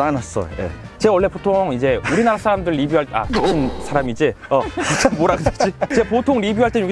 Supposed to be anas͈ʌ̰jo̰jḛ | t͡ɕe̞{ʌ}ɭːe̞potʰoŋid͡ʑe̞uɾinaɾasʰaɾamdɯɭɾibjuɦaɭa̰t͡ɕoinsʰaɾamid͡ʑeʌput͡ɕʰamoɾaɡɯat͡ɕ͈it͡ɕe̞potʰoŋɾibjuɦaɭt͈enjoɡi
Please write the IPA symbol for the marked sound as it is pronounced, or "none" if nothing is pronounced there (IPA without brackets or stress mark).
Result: ʌ